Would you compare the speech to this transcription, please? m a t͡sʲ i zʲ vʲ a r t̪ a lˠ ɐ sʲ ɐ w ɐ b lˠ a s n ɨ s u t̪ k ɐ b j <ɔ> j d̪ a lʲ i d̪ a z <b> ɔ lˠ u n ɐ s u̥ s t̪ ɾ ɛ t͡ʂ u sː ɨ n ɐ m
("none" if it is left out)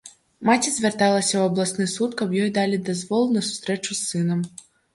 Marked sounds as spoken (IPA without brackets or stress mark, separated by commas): ɔ, v